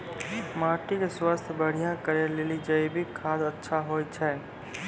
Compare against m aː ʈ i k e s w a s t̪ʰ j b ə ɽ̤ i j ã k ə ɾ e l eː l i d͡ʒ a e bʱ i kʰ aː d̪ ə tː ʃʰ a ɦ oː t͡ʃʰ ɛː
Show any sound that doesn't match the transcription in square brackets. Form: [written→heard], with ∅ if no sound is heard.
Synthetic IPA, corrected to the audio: m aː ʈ i k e s w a s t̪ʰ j b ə ɽ̤ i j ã k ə ɾ e l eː l i d͡ʒ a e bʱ i kʰ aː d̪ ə tː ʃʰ a ɦ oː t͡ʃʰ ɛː